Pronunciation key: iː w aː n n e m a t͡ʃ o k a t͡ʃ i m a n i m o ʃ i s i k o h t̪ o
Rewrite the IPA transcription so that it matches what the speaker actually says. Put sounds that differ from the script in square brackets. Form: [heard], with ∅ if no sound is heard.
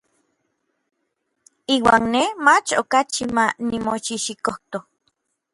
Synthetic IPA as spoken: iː w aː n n e m a t͡ʃ o k a t͡ʃ i m a n i m o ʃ i [ʃ] i k o h t̪ o